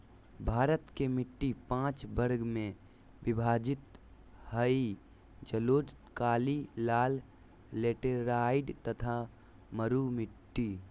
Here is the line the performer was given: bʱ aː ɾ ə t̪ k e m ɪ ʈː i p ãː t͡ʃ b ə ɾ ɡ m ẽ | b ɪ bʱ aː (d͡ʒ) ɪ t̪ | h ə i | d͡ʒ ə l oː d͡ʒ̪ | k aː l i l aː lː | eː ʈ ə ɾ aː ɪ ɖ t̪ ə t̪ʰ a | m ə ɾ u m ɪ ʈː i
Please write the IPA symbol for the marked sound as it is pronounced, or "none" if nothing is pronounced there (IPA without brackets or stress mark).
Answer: d͡ʒ